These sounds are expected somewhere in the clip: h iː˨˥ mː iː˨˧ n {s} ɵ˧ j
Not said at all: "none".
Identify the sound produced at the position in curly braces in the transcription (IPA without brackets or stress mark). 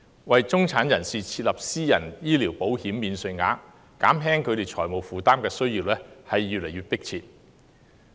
s